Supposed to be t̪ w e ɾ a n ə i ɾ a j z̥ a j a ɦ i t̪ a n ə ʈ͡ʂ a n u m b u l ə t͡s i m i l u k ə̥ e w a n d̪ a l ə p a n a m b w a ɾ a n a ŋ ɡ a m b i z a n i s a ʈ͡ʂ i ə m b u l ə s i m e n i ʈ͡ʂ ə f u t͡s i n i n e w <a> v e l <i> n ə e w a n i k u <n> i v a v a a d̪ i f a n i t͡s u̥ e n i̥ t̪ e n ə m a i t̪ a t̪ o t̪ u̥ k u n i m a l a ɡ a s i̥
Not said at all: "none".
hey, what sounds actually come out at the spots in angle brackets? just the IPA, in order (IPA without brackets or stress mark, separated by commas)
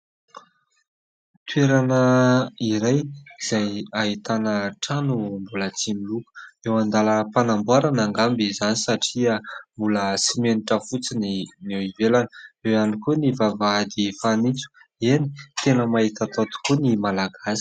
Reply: i, a, n